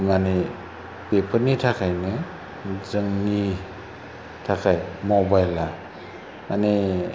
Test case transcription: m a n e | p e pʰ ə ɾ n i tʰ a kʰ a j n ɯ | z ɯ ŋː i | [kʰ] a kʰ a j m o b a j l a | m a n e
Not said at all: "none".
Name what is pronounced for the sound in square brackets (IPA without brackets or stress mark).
tʰ